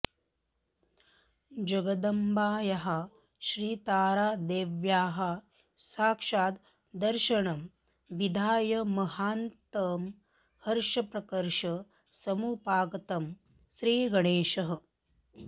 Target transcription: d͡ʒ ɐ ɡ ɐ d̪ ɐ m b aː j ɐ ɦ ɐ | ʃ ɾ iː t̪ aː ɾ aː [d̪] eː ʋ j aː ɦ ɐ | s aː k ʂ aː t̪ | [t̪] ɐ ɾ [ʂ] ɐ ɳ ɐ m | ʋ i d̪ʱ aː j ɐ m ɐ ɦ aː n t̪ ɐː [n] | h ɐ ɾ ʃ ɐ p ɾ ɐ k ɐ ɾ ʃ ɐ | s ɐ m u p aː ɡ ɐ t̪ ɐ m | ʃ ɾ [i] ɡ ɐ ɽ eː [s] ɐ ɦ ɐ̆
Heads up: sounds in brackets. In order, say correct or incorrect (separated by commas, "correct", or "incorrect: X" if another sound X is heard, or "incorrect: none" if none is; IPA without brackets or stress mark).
correct, incorrect: d̪, incorrect: ʃ, incorrect: m, incorrect: iː, incorrect: ʃ